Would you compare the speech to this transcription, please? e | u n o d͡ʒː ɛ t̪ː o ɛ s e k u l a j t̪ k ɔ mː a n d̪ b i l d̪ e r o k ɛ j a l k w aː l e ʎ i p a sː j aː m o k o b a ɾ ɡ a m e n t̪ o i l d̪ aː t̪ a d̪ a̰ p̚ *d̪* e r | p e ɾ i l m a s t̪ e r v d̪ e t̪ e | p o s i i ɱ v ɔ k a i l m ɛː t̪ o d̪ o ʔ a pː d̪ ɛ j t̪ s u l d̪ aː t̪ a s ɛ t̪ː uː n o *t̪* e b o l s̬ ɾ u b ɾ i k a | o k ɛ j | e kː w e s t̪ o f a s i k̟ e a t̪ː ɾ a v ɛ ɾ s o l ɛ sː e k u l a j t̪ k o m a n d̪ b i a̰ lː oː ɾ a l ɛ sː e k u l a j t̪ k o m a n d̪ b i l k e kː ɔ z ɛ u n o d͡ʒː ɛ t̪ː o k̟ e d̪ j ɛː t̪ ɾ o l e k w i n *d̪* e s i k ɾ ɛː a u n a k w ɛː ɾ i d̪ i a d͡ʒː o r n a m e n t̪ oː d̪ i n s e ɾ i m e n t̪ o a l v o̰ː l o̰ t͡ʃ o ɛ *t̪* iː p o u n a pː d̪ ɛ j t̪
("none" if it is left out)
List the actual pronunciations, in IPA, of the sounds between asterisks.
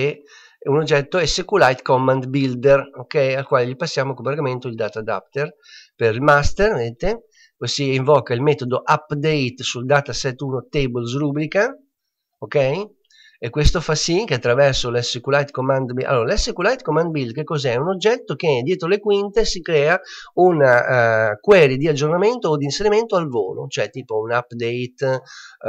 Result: t̪, t̪, t̪, t̪

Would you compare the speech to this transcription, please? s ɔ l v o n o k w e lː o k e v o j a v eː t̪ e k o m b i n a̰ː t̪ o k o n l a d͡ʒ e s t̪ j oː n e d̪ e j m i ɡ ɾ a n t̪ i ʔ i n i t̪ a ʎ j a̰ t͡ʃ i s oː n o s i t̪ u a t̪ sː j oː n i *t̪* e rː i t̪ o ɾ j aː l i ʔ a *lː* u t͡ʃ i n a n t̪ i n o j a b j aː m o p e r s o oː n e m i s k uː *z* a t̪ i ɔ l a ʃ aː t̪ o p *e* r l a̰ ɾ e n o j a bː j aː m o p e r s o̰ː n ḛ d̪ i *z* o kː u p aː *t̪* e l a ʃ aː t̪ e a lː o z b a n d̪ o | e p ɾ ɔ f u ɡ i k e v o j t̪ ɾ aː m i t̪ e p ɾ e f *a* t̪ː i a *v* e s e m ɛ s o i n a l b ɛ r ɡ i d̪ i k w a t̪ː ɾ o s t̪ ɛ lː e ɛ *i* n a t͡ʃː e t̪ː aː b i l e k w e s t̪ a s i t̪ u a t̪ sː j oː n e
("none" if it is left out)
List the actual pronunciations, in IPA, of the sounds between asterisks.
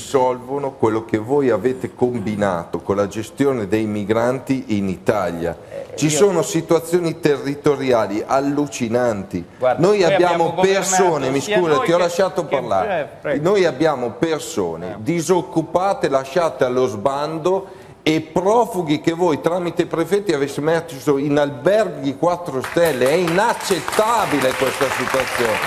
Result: t̪, lː, z, a, z, t̪, ɛ, v, i

